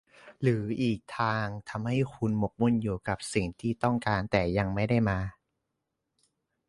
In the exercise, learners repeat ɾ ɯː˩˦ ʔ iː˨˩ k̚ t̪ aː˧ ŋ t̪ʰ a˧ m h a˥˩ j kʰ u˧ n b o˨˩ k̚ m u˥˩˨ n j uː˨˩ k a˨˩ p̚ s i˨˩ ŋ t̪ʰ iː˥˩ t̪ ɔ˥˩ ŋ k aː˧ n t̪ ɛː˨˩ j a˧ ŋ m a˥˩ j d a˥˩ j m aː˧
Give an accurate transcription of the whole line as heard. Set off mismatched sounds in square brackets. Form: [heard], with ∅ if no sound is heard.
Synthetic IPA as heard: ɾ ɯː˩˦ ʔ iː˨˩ k̚ [t̪ʰ] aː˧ ŋ t̪ʰ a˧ m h a˥˩ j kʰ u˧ n [m] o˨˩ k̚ m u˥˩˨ n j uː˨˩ k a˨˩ p̚ s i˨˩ ŋ t̪ʰ iː˥˩ t̪ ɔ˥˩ ŋ k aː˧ n t̪ ɛː˨˩ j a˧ ŋ m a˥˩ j d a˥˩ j m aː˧